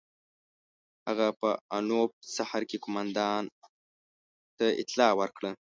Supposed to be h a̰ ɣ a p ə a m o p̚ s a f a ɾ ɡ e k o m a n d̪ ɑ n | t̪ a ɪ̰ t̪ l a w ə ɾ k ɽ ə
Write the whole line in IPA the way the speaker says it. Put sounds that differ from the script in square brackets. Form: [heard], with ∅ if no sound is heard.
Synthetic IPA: h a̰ ɣ a p ə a [n] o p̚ s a [h] a ɾ [k] e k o m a n d̪ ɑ n | t̪ a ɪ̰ t̪ l [ɑ] w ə ɾ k ɽ ə